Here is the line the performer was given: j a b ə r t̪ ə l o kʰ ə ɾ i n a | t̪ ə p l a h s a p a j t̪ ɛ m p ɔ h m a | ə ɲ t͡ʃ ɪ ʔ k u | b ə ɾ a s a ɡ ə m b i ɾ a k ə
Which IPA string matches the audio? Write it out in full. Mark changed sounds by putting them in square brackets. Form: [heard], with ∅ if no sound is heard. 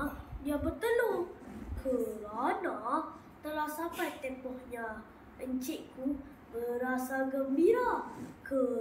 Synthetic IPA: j a b ə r t̪ ə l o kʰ ə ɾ [a] n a | t̪ ə [∅] l a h s a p a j t̪ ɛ m p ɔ h [ɲ] a | ə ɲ t͡ʃ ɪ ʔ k u | b ə ɾ a s a ɡ ə m b i ɾ a k ə